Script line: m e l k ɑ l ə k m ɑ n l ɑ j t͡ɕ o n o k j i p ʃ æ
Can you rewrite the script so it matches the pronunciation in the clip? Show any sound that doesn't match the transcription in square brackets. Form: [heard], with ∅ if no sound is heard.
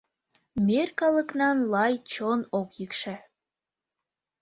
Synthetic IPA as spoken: m e [r] k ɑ l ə k [n] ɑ n l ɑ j t͡ɕ o n o k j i [k] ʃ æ